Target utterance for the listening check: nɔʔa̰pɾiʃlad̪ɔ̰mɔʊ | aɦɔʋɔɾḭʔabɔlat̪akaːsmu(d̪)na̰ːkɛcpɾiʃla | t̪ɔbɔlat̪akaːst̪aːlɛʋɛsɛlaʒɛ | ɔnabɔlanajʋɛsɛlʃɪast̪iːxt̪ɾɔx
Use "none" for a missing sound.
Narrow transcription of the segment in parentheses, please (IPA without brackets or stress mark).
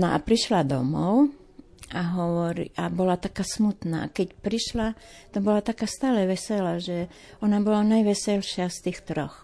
t̪